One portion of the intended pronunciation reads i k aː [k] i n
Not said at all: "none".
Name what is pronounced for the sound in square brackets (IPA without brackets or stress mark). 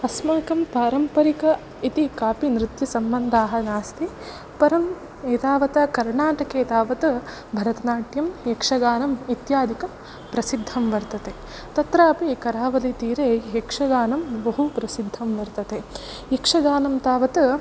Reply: p